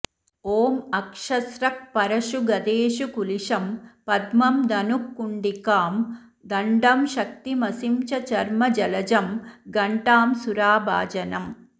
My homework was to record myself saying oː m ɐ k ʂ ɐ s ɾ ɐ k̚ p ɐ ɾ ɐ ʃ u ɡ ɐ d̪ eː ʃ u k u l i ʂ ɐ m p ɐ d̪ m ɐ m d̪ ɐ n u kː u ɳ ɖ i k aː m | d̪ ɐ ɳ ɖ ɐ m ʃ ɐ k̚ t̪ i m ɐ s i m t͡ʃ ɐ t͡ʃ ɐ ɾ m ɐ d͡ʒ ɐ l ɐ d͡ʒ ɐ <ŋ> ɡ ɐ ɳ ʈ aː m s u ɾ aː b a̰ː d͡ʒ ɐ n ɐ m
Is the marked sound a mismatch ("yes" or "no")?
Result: yes